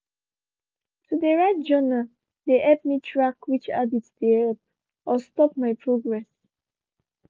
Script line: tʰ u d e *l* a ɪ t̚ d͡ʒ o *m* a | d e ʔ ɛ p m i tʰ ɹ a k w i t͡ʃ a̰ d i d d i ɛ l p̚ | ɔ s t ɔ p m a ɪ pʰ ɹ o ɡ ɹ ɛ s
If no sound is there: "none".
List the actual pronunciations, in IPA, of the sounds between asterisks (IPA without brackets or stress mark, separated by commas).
ɹ, n